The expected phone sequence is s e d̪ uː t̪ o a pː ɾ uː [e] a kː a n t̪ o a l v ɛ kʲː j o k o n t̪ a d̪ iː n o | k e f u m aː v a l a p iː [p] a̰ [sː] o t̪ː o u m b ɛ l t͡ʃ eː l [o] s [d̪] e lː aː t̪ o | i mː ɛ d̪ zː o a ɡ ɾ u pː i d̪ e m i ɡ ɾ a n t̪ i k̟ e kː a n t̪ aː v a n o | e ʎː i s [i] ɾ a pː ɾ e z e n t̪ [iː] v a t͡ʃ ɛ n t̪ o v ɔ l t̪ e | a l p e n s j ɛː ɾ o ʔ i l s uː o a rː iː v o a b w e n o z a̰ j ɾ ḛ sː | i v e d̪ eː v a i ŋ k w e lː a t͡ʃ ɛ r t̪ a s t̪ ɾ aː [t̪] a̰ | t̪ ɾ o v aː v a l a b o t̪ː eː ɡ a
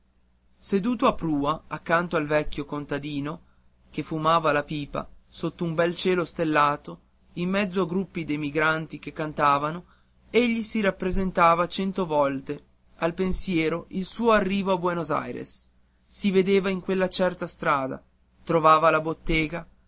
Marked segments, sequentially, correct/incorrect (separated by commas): incorrect, correct, incorrect, correct, incorrect, correct, incorrect, incorrect